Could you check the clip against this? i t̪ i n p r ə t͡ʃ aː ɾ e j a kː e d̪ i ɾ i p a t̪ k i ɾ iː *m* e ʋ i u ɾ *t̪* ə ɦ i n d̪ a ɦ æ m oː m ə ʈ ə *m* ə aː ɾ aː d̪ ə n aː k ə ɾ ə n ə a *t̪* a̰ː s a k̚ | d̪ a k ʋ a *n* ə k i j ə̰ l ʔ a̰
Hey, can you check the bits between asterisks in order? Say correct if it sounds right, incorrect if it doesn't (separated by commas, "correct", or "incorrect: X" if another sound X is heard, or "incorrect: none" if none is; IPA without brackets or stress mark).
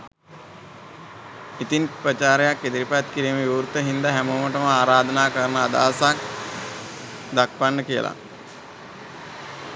correct, correct, correct, incorrect: d̪, incorrect: nː